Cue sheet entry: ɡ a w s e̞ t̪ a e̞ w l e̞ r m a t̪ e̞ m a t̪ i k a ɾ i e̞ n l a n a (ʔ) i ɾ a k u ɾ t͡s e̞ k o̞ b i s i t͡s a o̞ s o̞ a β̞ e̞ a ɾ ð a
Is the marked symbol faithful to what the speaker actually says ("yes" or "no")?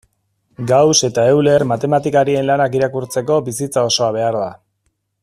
no